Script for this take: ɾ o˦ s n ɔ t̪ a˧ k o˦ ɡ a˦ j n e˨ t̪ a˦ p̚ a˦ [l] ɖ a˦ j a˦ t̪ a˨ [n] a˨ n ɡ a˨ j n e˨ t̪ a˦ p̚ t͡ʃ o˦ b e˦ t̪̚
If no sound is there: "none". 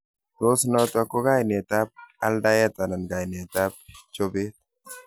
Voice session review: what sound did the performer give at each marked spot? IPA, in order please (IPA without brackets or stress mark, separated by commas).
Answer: l, n